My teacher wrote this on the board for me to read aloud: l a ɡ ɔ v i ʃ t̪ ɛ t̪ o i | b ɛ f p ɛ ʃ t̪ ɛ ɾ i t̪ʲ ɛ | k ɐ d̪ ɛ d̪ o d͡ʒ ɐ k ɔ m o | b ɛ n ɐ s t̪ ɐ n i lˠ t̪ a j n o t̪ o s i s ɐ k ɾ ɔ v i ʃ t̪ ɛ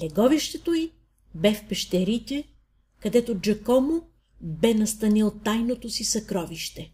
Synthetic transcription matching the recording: l ɛ ɡ ɔ v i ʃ t̪ ɛ t̪ o i | b ɛ f p ɛ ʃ t̪ ɛ ɾ i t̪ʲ ɛ | k ɐ d̪ ɛ t̪ o d͡ʒ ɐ k ɔ m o | b ɛ n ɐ s t̪ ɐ n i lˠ t̪ a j n o t̪ o s i s ɐ k ɾ ɔ v i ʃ t̪ ɛ